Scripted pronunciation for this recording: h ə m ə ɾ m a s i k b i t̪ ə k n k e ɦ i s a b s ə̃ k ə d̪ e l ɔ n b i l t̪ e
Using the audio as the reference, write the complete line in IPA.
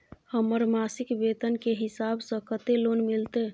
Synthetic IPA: h ə m ə ɾ m a s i k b e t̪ ə n k e ɦ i s a b s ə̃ k ə t̪ e l o n m i l t̪ e